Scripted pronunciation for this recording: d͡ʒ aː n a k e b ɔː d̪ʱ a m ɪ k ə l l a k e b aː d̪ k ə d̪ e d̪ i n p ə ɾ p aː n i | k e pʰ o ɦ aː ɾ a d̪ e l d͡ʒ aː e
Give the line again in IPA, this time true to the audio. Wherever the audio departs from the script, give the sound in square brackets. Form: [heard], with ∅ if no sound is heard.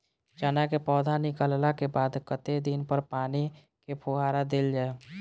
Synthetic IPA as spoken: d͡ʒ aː n a k e [p] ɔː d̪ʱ a [n] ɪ k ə l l a k e b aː d̪ k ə [t̪] e d̪ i n p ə ɾ p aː n i | k e pʰ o ɦ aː ɾ a d̪ e l d͡ʒ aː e